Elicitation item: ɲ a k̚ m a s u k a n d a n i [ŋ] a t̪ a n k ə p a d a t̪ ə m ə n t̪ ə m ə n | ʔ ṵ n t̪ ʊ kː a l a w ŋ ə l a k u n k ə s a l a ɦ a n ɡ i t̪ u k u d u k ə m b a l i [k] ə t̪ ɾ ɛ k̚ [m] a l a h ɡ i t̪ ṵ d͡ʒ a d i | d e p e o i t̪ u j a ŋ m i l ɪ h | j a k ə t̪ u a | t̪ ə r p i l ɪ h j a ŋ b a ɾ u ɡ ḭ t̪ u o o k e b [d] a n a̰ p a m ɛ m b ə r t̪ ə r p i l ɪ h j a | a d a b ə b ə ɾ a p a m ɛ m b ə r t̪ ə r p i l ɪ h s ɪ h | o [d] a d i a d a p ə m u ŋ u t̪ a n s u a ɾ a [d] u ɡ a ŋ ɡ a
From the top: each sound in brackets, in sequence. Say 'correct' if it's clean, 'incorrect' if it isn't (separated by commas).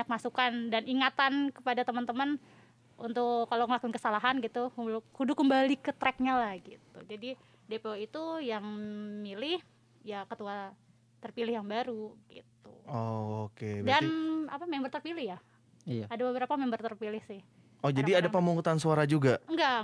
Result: correct, correct, incorrect, correct, incorrect, incorrect